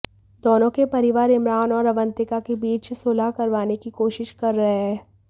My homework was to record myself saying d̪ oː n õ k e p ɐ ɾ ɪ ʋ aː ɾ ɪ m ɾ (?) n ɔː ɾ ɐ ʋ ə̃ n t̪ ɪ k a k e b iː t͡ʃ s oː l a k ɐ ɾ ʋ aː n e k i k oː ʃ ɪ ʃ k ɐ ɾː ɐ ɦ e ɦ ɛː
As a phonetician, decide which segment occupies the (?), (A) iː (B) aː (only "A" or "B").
B